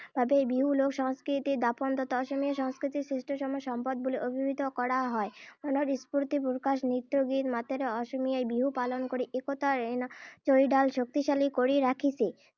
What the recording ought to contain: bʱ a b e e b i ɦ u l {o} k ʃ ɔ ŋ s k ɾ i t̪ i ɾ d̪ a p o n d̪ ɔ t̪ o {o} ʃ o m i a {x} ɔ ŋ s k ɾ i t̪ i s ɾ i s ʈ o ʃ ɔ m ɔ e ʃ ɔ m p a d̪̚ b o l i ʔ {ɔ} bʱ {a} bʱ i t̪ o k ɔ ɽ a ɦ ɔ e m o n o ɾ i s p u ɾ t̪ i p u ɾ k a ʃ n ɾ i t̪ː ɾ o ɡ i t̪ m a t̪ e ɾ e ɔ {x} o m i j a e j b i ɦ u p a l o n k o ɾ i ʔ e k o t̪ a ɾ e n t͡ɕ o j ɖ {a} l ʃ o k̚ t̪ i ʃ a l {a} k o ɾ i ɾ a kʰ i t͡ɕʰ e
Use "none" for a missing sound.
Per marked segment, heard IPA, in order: o, ɔ, ʃ, o, i, ʃ, a, i

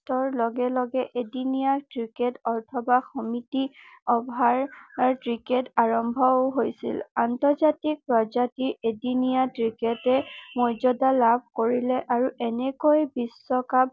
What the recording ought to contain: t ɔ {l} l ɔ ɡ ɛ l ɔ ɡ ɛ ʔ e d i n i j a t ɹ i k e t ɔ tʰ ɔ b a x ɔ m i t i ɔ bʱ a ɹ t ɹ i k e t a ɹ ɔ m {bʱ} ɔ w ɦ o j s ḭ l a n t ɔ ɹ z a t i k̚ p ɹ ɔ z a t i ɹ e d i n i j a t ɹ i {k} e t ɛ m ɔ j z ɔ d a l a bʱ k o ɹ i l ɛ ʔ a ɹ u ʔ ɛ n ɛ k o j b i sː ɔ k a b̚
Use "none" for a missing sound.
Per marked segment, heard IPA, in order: ɹ, bʱ, k

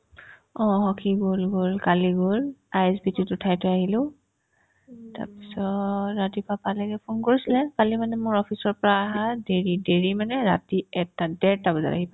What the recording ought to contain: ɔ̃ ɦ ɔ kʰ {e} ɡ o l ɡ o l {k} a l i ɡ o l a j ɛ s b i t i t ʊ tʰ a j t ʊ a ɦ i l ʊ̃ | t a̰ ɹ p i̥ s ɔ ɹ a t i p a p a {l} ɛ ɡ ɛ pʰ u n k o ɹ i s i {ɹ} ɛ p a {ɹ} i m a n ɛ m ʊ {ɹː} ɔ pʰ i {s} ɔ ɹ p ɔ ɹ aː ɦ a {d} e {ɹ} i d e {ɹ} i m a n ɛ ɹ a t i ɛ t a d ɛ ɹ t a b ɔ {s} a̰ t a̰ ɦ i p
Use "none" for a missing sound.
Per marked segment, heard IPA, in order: i, k, l, l, l, ɹ, s, d, ɹ, ɹ, z

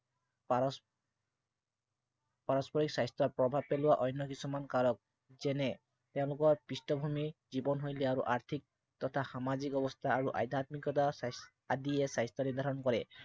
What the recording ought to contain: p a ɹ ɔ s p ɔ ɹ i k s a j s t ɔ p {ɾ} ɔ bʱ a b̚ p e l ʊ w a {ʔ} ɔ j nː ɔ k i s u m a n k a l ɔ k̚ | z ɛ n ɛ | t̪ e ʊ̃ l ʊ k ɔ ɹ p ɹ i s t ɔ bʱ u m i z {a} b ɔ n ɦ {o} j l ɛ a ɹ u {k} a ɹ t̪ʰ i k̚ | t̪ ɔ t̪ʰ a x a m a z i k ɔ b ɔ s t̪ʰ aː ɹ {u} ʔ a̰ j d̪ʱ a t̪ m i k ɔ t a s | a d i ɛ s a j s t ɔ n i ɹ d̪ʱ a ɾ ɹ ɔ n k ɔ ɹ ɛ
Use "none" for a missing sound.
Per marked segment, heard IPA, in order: ɹ, ʔ, i, o, ʔ, u

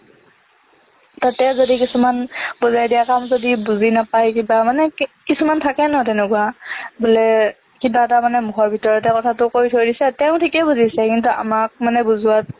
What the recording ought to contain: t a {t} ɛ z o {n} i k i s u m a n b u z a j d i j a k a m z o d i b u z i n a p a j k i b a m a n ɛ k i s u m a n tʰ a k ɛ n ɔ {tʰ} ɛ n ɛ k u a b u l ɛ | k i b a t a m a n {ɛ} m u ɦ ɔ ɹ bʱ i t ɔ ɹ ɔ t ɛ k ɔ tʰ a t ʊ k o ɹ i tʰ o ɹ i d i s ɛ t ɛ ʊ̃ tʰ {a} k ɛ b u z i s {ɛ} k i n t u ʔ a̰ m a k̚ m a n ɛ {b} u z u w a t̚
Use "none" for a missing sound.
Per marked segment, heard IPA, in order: t, d, t, ɛ, i, ɛ, b

